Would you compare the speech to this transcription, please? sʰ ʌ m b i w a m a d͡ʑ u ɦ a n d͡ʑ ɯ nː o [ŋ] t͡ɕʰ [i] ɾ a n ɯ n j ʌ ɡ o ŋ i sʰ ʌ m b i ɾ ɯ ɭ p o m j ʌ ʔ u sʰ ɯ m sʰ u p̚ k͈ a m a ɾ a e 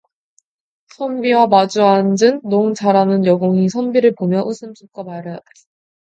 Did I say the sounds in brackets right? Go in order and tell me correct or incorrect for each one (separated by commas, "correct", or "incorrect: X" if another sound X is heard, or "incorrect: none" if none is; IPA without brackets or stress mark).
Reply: correct, incorrect: a